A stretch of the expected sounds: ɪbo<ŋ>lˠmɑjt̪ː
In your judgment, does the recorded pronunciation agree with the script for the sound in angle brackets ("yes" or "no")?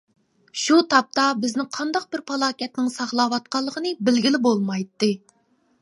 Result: no